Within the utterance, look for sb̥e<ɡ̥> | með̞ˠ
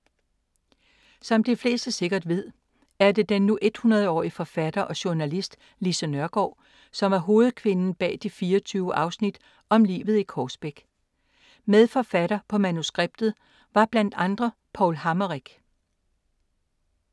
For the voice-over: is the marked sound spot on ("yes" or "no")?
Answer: yes